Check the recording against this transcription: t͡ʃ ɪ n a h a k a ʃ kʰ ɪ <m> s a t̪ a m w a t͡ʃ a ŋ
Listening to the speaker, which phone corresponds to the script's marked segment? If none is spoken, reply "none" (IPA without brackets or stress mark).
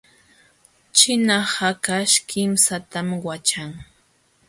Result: m